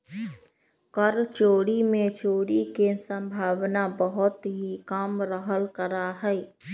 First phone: k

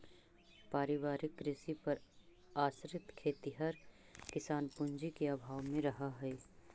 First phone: p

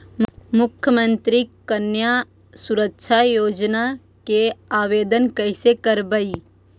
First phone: m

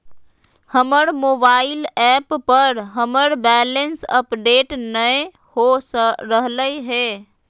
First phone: h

